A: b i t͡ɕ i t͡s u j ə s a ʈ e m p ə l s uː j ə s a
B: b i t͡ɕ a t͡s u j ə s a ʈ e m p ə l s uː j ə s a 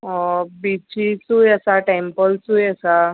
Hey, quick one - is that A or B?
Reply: A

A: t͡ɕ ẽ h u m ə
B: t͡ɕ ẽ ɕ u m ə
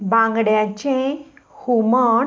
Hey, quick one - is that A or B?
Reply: A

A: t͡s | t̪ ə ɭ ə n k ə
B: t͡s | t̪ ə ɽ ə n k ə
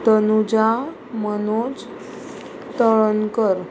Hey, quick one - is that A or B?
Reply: A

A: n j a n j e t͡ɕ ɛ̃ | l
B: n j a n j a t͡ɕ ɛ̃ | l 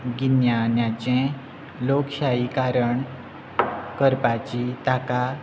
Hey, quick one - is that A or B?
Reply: B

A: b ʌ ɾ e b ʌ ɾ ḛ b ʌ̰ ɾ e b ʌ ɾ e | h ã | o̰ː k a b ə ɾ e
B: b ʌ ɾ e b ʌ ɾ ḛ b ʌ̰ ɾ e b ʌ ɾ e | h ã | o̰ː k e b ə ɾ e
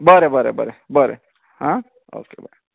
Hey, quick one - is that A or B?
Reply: B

